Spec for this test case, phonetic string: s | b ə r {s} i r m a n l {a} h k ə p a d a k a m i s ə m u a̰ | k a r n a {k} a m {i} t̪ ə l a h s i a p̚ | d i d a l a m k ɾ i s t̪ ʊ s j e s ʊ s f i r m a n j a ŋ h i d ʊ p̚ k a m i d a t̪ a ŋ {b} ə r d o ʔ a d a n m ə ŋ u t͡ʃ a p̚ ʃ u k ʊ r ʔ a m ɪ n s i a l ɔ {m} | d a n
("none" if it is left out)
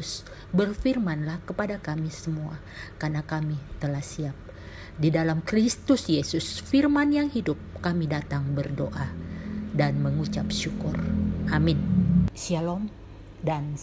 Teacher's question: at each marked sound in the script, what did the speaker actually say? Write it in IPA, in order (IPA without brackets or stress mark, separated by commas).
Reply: f, a, k, i, b, m